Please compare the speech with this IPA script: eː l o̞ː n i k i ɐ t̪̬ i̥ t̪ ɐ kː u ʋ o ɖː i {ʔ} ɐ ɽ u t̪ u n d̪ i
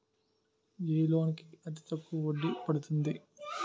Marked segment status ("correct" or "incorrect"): incorrect